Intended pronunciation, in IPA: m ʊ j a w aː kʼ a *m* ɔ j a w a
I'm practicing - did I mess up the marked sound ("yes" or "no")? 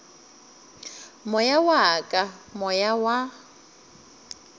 no